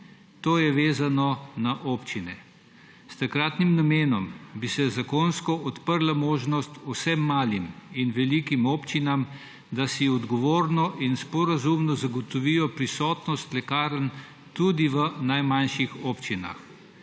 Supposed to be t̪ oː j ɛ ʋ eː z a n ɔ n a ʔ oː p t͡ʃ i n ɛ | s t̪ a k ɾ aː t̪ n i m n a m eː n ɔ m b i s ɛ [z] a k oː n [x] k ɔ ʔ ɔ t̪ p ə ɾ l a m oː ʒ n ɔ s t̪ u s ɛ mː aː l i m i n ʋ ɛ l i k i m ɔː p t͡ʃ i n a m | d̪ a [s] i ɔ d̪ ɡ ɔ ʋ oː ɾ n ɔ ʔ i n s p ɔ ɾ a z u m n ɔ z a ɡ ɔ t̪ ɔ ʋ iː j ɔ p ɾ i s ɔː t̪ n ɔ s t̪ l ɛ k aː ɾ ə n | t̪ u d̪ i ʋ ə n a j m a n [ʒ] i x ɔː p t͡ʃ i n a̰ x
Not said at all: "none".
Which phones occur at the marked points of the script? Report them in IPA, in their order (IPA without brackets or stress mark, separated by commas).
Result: z, s, s, ʃ